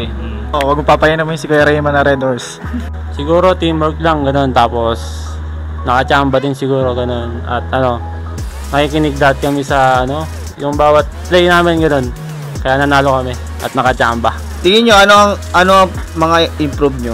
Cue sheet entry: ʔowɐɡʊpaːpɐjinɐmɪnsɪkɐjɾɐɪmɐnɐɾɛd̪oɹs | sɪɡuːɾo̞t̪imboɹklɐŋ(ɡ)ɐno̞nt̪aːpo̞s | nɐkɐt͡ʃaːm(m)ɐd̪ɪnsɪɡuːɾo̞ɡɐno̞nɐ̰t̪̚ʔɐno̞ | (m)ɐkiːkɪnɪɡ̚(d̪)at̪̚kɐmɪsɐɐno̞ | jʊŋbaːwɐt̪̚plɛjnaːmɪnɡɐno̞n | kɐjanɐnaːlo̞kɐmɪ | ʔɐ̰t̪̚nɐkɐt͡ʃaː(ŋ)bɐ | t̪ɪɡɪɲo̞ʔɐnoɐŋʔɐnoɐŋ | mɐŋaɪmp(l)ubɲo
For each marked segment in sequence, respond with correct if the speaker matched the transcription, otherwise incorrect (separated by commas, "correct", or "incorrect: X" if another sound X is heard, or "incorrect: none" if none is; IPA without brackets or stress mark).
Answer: correct, incorrect: b, incorrect: n, correct, incorrect: m, incorrect: ɾ